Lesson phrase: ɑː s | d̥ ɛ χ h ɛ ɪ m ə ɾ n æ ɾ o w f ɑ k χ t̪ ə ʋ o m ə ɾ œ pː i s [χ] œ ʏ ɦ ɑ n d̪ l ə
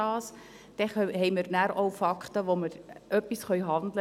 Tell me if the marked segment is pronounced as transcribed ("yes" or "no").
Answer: yes